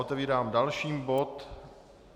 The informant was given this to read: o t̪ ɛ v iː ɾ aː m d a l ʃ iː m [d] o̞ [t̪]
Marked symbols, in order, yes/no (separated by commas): no, yes